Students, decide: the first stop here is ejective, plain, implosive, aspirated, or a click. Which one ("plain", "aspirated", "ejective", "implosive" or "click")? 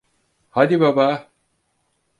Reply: plain